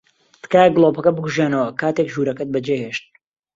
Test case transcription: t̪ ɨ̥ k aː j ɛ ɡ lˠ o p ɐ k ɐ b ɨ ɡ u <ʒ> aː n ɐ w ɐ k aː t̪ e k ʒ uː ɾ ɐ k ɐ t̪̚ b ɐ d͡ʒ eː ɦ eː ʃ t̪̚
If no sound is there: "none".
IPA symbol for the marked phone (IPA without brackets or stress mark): ʒ